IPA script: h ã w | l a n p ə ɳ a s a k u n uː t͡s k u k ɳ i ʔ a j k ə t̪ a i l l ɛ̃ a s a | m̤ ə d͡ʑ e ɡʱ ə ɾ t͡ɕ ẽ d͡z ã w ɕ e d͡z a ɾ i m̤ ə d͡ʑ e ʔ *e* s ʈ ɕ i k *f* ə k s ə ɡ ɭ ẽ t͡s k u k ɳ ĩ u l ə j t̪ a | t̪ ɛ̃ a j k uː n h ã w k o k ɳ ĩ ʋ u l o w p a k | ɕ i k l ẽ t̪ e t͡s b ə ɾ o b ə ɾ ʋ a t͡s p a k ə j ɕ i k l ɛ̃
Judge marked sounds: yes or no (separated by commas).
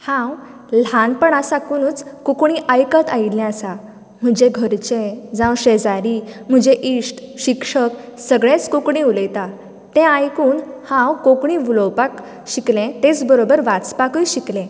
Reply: no, no